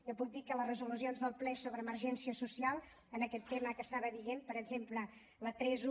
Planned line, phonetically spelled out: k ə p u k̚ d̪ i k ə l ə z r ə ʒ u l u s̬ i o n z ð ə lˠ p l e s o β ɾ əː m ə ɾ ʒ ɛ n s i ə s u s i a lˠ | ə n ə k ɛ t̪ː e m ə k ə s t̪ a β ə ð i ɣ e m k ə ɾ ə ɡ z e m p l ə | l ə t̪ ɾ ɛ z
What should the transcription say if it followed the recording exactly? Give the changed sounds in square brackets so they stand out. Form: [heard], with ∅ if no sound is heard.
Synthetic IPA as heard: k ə p u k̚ d̪ i k ə l ə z r ə [z] u l u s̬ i o n z ð ə lˠ p l [ɛ] s o β ɾ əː m ə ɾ ʒ ɛ n s i ə s u s i a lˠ | ə n ə k ɛ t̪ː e m ə k ə s t̪ a β ə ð i ɣ e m [p] ə ɾ ə ɡ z e m p l ə | l ə t̪ ɾ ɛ z